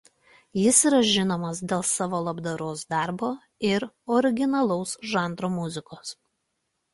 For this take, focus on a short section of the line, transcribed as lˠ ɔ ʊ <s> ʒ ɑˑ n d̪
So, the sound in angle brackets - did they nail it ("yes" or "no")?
yes